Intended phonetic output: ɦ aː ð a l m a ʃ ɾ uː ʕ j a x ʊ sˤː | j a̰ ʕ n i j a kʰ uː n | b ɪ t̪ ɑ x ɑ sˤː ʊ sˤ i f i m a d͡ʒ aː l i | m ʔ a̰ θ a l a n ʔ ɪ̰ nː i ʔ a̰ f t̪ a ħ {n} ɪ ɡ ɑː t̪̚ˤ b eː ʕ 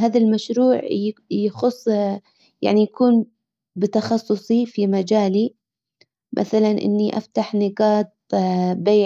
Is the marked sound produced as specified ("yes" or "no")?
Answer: yes